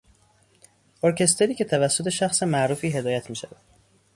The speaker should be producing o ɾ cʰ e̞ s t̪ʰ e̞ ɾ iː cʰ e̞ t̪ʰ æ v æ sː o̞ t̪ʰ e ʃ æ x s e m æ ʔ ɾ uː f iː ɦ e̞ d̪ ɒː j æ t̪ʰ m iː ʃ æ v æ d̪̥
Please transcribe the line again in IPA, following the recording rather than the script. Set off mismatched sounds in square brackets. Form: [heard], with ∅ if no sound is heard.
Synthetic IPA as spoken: o ɾ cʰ e̞ s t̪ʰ e̞ ɾ iː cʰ e̞ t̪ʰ æ v æ sː o̞ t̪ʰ e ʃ æ x s e m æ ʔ ɾ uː f iː ɦ e̞ d̪ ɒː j æ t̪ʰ m iː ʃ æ v æ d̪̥